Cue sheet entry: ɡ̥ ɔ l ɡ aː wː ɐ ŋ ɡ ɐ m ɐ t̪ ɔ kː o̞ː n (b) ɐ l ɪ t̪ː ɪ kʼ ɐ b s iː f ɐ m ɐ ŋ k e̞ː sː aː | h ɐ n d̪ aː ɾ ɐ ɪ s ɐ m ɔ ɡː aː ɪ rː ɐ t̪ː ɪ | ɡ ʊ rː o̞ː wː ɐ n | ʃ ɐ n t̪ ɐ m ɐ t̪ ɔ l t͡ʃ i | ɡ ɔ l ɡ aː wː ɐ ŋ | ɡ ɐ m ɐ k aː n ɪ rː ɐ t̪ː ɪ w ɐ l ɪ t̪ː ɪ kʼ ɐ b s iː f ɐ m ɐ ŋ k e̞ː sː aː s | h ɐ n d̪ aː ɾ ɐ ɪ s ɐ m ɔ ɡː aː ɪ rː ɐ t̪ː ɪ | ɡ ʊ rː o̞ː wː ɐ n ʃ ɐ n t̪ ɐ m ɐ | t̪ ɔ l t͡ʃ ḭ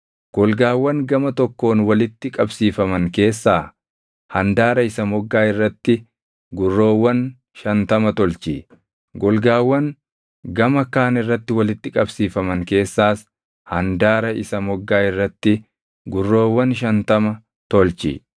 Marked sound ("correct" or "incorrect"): incorrect